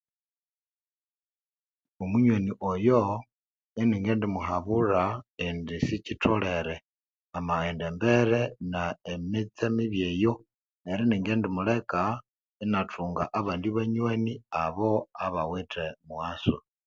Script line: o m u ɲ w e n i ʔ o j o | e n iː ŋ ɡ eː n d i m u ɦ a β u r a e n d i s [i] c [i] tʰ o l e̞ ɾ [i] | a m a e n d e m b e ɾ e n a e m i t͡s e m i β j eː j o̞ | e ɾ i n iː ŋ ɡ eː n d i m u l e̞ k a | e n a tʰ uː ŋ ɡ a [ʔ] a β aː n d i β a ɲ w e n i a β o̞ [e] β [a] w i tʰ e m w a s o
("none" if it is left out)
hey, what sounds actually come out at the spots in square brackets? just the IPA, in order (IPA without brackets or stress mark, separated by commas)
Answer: i, i, e, ʔ, a, a